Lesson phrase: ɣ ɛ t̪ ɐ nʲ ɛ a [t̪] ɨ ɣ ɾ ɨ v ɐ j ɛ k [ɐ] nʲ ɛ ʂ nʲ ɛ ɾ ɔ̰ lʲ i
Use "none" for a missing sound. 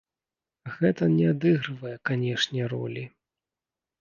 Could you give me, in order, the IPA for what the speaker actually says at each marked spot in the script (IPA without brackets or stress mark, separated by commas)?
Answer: d̪, a